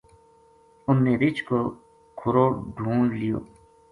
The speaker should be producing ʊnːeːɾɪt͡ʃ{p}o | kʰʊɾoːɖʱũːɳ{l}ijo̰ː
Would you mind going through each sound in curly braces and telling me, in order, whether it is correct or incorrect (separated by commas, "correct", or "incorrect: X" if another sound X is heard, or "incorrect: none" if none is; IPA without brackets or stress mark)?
incorrect: k, correct